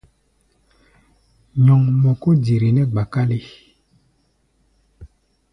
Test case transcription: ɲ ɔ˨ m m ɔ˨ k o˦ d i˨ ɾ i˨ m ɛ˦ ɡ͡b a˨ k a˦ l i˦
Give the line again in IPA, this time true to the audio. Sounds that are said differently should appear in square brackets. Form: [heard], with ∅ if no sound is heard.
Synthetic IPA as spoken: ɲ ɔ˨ [ŋ] m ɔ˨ k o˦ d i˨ ɾ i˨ [n] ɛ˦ ɡ͡b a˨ k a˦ l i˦